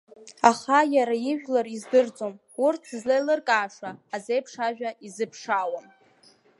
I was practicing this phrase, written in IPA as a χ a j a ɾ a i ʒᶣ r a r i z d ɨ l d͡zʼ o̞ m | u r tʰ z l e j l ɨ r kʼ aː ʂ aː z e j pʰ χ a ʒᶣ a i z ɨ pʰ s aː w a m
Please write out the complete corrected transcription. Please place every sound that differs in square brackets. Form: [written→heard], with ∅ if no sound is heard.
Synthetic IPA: a χ a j a ɾ a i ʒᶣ [r→l] a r i z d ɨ [l→r] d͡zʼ o̞ m | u r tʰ z l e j l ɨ r kʼ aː ʂ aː z e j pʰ [χ→ʂ] a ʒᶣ a i z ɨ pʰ [s→ʂ] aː w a m